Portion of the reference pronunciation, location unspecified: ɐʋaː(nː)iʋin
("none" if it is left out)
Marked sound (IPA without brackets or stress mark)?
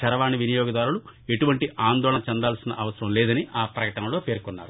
n